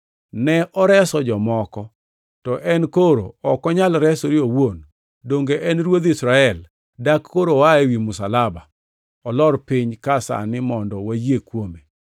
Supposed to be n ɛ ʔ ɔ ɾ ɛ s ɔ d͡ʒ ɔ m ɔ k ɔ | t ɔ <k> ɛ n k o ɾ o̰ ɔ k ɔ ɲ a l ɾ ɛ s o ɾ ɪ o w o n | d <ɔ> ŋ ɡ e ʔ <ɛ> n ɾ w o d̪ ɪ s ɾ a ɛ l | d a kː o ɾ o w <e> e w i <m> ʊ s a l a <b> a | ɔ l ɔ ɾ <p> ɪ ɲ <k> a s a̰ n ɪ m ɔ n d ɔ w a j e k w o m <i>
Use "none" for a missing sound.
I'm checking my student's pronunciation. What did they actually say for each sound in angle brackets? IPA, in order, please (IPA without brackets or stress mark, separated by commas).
ʔ, o, ɛ, a, m, b, p, k, e